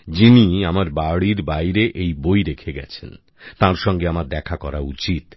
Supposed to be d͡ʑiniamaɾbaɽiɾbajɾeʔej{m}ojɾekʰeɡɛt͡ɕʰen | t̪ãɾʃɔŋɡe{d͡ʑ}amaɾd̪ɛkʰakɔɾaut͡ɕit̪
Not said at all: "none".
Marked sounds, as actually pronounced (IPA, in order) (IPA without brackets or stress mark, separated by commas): b, none